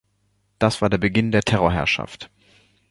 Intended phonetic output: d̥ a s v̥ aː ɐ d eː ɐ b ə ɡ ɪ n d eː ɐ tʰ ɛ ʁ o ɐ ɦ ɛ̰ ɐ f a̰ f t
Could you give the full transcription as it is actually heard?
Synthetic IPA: d̥ a s v̥ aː ɐ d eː ɐ b ə ɡ ɪ n d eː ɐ tʰ ɛ ʁ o ɐ ɦ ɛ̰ ɐ ʃ a̰ f t